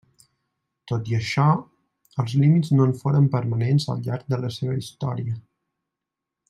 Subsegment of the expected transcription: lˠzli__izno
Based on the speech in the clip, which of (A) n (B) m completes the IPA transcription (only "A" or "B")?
B